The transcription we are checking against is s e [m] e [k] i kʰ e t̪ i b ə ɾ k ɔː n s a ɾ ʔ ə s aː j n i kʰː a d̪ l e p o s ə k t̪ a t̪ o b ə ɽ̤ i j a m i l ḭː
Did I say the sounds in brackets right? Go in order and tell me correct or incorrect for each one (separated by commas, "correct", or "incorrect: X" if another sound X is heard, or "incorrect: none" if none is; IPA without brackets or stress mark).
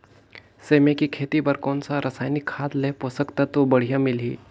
correct, correct